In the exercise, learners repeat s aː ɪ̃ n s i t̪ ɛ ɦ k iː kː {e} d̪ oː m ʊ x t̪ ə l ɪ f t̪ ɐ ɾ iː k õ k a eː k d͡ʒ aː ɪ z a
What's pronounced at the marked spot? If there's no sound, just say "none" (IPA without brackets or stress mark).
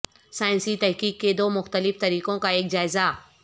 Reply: e